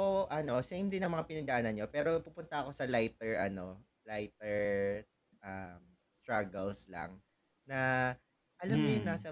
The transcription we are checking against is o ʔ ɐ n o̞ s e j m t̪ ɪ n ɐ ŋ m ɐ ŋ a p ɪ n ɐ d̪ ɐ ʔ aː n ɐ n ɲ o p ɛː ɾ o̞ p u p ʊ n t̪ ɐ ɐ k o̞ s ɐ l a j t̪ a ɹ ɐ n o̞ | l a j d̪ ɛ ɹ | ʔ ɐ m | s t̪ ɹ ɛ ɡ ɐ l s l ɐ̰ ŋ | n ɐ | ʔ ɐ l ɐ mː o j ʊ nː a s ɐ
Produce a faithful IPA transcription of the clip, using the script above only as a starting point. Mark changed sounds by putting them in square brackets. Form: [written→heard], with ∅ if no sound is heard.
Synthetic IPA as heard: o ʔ ɐ n o̞ s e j m [t̪→d̪] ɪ n ɐ ŋ m ɐ ŋ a p ɪ n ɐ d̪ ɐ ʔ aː n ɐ n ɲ o p ɛː ɾ o̞ p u p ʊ n t̪ ɐ ɐ k o̞ s ɐ l a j t̪ [a→ɛ] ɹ ɐ n o̞ | l a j [d̪→t̪] ɛ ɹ | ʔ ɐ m | s t̪ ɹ [ɛ→a] ɡ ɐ l s l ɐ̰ ŋ | n ɐ | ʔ ɐ l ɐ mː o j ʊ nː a s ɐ